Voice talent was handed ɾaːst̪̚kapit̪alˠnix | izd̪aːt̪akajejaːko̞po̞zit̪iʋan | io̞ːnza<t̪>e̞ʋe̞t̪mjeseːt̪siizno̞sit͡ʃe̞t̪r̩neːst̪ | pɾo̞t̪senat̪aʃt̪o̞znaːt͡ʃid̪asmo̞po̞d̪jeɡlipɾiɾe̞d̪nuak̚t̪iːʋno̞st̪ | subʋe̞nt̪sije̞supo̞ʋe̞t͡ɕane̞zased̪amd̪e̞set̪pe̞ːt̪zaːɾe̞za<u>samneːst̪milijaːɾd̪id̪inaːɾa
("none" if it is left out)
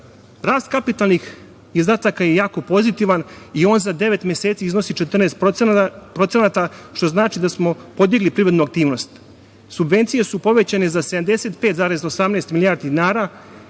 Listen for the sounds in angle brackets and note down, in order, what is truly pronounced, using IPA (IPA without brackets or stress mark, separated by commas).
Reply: d̪, o